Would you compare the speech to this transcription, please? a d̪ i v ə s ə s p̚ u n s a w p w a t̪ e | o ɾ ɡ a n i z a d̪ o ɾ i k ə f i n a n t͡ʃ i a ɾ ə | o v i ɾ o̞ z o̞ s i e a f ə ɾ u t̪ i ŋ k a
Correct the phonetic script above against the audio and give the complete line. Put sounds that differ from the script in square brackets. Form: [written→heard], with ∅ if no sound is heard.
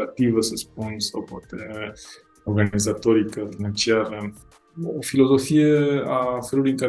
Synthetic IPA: a [d̪→t̪] i v ə s ə s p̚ u n s a w p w a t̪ e | o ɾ ɡ a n i z a [d̪→t̪] o ɾ i k ə f i n a n t͡ʃ i a ɾ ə | o [v→f] i [ɾ→l] o̞ z o̞ [s→f] i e a f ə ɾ u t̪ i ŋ k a